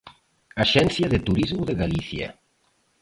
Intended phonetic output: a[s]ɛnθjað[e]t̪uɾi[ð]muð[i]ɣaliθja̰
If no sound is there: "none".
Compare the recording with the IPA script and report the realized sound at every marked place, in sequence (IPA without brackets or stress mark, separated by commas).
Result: ʃ, e, z, e